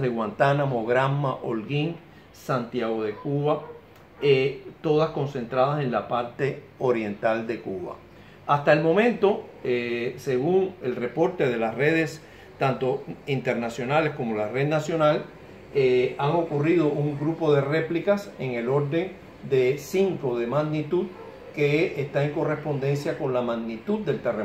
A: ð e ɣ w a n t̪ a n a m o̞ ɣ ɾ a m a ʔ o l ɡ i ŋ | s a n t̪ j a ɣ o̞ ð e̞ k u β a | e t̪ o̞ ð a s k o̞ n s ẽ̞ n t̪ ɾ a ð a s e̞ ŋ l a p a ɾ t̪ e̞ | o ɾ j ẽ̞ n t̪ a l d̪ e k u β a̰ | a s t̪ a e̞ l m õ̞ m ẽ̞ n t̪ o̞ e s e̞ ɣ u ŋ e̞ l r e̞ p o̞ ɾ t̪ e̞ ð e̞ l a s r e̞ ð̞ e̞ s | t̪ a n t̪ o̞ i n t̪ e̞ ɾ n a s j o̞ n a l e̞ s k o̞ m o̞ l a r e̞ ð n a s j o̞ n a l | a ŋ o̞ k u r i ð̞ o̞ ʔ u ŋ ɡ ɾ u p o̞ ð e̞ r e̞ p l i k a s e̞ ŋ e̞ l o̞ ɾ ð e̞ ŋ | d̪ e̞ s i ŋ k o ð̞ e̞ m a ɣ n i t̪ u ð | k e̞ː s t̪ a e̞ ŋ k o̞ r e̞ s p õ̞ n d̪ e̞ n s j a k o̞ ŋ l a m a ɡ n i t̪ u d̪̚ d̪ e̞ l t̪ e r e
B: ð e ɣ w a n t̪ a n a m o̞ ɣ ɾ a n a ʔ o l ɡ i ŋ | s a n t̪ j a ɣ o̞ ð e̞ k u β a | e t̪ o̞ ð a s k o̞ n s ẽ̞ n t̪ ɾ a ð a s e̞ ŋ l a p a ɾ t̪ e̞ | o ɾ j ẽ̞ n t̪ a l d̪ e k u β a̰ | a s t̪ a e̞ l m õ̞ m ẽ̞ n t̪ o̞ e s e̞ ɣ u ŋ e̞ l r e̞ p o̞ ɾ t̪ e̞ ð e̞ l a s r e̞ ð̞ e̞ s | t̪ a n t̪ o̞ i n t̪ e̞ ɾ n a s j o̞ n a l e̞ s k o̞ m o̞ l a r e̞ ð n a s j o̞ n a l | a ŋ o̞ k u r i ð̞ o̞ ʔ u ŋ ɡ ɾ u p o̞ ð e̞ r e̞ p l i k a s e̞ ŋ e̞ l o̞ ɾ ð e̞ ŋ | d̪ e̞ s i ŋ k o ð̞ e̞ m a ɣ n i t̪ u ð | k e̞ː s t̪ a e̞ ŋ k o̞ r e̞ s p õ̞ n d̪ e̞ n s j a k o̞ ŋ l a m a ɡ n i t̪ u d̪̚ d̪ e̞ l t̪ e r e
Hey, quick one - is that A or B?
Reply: A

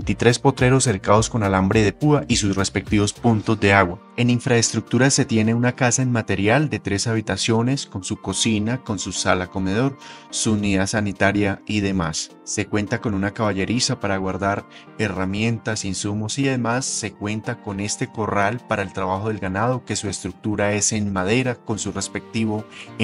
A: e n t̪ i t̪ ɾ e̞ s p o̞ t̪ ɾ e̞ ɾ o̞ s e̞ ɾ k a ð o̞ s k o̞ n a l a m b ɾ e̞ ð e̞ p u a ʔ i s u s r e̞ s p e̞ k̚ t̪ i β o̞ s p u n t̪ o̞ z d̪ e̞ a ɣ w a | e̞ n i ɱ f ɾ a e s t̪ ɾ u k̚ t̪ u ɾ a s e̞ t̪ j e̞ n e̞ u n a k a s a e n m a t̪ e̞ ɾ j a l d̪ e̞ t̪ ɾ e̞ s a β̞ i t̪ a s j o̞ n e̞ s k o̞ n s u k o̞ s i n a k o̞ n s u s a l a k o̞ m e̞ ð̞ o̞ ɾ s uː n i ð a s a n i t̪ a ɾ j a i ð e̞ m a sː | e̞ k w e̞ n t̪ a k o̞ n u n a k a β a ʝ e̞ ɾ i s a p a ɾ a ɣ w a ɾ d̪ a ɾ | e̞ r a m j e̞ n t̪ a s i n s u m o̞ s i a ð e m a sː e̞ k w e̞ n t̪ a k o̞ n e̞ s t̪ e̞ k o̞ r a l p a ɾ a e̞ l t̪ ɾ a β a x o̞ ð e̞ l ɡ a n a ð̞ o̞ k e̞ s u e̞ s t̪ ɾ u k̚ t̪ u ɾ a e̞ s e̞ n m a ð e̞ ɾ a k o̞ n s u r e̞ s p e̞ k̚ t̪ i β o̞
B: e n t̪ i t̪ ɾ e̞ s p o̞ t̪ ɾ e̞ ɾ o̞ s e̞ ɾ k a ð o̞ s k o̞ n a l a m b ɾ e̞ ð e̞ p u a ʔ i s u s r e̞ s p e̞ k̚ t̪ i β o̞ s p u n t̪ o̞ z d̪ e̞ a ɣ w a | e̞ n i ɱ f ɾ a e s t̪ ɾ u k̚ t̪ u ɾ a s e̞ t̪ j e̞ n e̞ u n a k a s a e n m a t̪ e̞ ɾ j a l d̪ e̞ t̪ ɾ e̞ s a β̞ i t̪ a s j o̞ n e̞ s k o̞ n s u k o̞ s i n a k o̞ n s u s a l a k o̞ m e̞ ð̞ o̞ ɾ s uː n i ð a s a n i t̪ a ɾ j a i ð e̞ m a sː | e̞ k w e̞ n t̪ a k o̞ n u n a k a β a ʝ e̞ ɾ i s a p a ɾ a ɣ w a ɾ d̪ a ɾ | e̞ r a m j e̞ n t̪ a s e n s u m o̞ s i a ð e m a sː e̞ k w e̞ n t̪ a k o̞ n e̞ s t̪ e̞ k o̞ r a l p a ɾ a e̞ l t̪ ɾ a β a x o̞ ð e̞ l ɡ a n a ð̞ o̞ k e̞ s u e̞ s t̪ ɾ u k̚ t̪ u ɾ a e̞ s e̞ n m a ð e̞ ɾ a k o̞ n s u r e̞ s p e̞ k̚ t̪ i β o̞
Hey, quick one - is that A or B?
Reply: A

